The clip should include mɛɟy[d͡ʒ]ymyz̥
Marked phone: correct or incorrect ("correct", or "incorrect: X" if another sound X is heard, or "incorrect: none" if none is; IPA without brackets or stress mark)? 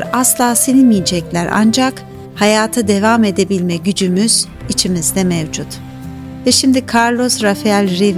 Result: correct